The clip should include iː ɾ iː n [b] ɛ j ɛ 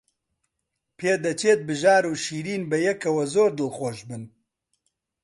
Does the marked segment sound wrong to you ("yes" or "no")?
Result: no